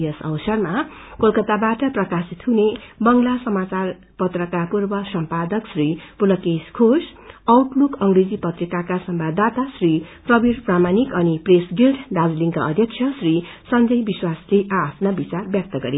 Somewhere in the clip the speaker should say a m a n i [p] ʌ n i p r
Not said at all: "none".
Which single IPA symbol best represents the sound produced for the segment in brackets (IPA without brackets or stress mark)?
k